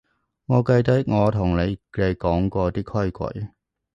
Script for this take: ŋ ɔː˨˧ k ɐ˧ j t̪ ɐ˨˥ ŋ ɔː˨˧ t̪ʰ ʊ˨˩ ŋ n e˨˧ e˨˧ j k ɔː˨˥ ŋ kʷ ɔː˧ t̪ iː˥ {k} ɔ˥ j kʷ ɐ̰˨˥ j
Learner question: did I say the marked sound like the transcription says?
no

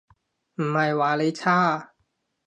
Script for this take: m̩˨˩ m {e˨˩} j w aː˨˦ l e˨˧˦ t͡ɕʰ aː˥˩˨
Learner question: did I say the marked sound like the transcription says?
no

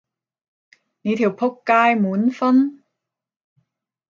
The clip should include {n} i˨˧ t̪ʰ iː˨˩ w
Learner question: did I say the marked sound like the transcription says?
yes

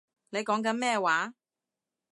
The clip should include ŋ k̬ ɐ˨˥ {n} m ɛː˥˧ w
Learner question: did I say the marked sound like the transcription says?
yes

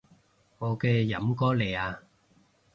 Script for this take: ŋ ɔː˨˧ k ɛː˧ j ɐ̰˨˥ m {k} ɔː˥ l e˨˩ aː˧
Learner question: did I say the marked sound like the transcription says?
yes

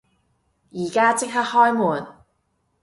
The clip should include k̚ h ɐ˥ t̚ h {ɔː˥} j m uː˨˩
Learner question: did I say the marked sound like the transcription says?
yes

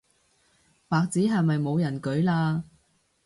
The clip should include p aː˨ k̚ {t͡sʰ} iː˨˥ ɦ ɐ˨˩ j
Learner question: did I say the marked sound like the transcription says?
no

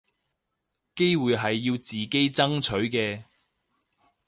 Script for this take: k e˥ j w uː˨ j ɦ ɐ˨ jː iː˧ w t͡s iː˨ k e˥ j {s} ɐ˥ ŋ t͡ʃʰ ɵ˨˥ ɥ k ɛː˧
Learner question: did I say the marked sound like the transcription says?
no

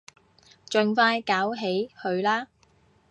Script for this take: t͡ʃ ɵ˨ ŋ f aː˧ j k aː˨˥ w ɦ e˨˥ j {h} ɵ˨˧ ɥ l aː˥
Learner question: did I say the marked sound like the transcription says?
yes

